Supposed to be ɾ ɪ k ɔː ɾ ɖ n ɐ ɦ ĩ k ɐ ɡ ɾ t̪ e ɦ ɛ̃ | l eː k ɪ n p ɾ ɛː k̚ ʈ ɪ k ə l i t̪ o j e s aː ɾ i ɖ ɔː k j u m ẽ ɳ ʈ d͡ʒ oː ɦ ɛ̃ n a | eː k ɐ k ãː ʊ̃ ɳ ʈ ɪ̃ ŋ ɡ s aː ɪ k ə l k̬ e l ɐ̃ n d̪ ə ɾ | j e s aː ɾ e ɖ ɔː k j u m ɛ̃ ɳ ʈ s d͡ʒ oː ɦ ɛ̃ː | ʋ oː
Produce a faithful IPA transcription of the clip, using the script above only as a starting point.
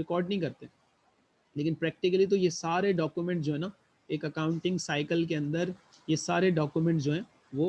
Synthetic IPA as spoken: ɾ ɪ k ɔː ɾ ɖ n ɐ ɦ ĩ k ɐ ɾ t̪ e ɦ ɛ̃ | l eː k ɪ n p ɾ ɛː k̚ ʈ ɪ k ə l i t̪ o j e s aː ɾ e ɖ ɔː k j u m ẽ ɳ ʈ d͡ʒ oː ɦ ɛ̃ n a | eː k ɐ k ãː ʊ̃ ɳ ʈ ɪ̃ ŋ ɡ s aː ɪ k ə l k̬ e ɐ̃ n d̪ ə ɾ | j e s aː ɾ e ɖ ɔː k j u m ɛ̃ ɳ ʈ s d͡ʒ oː ɦ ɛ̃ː | ʋ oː

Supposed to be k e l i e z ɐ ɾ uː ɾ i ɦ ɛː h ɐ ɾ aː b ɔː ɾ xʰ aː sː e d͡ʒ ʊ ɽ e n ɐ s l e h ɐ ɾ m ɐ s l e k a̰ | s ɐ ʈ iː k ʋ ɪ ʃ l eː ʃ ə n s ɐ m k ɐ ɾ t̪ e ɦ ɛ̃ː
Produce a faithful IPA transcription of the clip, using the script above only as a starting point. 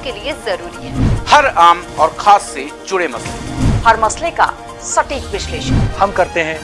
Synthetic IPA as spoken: k e l i e z ɐ ɾ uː ɾ i ɦ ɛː h ɐ ɾ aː m ɔː ɾ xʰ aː sː e d͡ʒ ʊ ɽ e m ɐ s l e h ɐ ɾ m ɐ s l e k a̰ | s ɐ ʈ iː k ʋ ɪ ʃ l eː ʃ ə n h ɐ m k ɐ ɾ t̪ e ɦ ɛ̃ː

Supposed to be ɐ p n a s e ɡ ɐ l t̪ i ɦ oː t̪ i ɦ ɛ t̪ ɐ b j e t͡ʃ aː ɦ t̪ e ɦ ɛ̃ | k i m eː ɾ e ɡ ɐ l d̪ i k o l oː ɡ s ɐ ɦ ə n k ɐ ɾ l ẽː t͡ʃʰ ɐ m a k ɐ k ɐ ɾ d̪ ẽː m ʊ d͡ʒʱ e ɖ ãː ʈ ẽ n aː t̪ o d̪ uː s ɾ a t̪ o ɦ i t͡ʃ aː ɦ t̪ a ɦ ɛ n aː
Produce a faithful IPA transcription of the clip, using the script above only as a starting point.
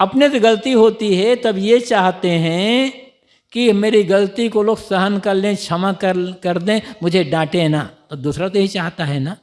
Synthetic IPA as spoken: ɐ p n e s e ɡ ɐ l t̪ i ɦ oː t̪ i ɦ ɛ t̪ ɐ b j e t͡ʃ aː ɦ t̪ e ɦ ɛ̃ | k i m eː ɾ i ɡ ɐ l t̪ i k o l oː ɡ s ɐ ɦ ə n k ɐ ɾ l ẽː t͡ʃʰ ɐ m a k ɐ k ɐ ɾ d̪ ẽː m ʊ d͡ʒʱ e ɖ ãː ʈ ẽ n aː t̪ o d̪ uː s ɾ a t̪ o ɦ i t͡ʃ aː ɦ t̪ a ɦ ɛ n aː

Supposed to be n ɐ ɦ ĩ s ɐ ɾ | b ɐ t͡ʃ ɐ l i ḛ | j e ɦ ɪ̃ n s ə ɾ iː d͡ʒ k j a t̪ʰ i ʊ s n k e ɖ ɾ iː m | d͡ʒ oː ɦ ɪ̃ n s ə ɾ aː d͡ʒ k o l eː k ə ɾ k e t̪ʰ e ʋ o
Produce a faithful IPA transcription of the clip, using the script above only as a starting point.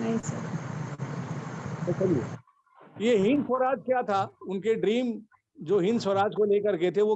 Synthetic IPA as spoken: n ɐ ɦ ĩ s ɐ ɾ | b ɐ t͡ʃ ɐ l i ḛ | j e ɦ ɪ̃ n s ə ɾ aː d͡ʒ k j a t̪ʰ a ʊ n k e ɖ ɾ iː m | d͡ʒ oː ɦ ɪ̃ n s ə ɾ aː d͡ʒ k o l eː k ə ɾ k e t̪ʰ e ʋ o

